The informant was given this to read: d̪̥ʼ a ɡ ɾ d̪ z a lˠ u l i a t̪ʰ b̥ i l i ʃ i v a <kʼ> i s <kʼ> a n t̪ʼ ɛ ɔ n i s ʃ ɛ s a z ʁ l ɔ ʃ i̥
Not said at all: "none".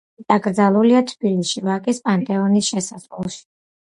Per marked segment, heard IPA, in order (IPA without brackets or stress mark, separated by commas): kʼ, pʼ